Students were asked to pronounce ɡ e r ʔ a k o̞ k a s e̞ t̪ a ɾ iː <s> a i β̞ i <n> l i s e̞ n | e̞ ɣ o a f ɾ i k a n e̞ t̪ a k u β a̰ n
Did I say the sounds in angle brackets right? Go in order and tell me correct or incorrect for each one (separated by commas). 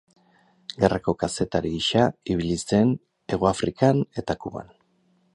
incorrect, incorrect